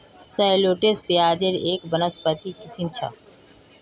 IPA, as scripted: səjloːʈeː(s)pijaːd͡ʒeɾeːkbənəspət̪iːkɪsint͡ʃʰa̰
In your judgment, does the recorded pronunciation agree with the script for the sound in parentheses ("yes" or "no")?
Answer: yes